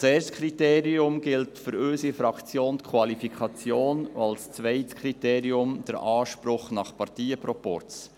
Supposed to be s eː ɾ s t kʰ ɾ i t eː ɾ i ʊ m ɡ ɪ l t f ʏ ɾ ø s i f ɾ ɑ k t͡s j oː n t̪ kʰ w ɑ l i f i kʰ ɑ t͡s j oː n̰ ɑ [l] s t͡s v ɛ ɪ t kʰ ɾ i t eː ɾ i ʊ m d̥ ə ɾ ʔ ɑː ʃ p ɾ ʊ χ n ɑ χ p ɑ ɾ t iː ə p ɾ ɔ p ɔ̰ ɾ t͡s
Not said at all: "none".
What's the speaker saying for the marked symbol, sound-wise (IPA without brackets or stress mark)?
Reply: l